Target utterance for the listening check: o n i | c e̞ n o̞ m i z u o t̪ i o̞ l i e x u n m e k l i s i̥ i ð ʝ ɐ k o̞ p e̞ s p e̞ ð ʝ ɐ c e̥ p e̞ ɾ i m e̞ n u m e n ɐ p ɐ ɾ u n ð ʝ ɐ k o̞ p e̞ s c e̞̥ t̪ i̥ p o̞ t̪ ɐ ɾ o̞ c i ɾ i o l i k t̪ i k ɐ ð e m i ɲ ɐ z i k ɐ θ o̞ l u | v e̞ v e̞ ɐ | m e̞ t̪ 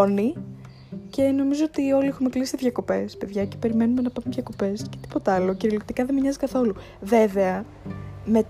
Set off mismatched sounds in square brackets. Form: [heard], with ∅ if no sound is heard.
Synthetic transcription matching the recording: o n i | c e̞ n o̞ m i z [o] o t̪ i o̞ l i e x u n m e k l i s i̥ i ð ʝ ɐ k o̞ p e̞ s p e̞ ð ʝ ɐ c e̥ p e̞ ɾ i m e̞ n u m e n ɐ p ɐ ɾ u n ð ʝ ɐ k o̞ p e̞ s c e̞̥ t̪ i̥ p o̞ t̪ ɐ [l] o̞ c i ɾ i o l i k t̪ i k ɐ ð e m i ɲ ɐ z i k ɐ θ o̞ l u | v e̞ v e̞ ɐ | m e̞ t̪